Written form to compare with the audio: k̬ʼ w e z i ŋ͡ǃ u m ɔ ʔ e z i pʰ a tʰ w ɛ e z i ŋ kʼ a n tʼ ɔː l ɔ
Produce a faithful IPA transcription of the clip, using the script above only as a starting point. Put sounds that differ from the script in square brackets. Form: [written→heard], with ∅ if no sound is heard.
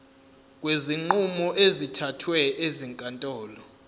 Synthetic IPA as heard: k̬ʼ w e z i ŋ͡ǃ u m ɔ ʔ e z i [pʰ→tʰ] a tʰ w ɛ e z i ŋ kʼ a n tʼ ɔː l ɔ